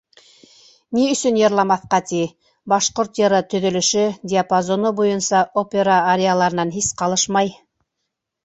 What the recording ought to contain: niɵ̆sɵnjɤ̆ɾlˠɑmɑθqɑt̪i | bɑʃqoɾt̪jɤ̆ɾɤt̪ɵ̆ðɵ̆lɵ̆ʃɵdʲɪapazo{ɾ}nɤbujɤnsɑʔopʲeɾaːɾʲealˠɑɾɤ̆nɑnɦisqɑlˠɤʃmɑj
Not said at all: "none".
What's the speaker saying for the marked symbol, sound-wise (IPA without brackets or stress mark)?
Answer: none